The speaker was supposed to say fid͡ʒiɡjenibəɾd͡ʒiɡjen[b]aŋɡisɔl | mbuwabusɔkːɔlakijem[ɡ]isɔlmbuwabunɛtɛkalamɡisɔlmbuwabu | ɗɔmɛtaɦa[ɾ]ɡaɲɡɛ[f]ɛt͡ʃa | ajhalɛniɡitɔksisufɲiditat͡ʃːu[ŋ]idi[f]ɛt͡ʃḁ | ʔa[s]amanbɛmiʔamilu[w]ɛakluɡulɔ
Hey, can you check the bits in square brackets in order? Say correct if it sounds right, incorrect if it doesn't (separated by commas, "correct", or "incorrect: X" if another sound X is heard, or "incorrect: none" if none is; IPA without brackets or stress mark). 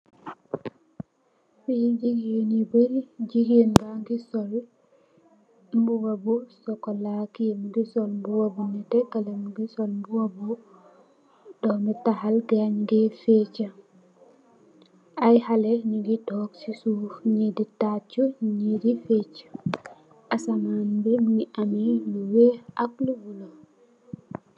correct, correct, incorrect: l, correct, incorrect: ɲ, correct, correct, correct